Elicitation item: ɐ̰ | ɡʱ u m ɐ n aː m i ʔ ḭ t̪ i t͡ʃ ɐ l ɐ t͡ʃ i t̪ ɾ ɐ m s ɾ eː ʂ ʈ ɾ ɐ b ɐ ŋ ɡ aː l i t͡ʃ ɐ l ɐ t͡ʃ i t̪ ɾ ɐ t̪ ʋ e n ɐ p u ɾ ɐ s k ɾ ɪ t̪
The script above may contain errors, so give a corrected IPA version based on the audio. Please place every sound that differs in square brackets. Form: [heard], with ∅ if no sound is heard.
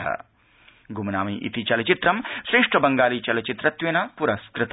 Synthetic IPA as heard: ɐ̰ | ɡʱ u m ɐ n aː m i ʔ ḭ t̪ i t͡ʃ ɐ l ɐ t͡ʃ i t̪ ɾ ɐ m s ɾ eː ʂ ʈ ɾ ɐ b ɐ ŋ ɡ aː l i t͡ʃ ɐ l ɐ t͡ʃ i t̪ ɾ ɐ t̪ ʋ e n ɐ p u ɾ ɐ s k ɾ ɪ t̪